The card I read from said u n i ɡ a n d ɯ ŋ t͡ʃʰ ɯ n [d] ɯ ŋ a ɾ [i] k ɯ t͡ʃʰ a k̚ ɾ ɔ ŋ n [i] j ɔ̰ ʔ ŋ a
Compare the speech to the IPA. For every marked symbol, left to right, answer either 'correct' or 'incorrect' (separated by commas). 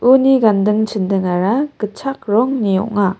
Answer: correct, incorrect, correct